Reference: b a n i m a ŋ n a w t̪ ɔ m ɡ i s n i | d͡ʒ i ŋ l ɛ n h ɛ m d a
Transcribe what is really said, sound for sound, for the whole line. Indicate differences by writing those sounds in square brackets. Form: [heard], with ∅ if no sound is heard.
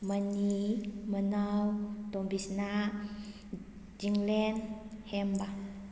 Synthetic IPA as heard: [m] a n i m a [∅] n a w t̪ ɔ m [b] i s n [a] | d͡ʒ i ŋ l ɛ n h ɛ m [b] a